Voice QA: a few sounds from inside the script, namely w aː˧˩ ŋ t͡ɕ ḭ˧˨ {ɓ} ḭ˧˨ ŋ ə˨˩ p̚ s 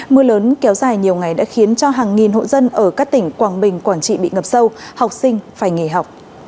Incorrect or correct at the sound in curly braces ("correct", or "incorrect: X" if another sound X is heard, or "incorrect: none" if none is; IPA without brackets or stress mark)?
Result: correct